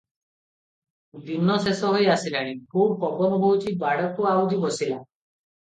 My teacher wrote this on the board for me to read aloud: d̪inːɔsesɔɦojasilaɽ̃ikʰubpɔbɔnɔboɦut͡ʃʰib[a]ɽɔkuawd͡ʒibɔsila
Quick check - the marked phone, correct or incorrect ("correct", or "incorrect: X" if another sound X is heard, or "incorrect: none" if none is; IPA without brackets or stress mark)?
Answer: correct